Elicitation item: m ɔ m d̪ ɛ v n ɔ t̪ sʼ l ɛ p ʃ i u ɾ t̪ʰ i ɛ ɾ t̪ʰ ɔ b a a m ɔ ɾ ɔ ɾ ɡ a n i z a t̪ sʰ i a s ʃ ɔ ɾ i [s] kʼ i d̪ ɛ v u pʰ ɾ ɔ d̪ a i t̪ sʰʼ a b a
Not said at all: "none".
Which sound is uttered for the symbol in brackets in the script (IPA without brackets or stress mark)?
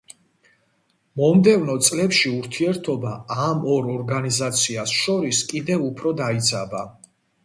s